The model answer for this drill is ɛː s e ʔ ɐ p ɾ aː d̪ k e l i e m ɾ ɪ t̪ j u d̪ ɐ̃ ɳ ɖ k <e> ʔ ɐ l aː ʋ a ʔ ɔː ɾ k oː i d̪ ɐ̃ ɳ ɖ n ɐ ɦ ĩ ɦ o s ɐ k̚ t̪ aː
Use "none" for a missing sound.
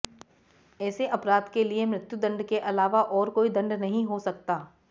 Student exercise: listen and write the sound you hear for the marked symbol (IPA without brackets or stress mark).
e